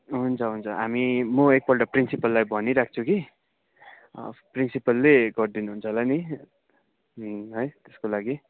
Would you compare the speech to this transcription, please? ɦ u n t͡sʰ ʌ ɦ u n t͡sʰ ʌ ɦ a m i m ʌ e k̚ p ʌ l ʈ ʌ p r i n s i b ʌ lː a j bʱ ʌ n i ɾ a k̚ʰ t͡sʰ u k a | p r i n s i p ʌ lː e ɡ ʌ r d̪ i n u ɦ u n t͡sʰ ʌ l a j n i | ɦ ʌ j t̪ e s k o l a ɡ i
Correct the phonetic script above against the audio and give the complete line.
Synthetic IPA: ɦ u n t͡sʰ ʌ ɦ u n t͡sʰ ʌ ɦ a m i m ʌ e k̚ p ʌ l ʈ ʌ p r i n s i p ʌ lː a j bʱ ʌ n i ɾ a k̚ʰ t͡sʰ u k i | p r i n s i p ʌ lː e ɡ ʌ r d̪ i n u ɦ u n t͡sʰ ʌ l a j n i | ɦ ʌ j t̪ e s k o l a ɡ i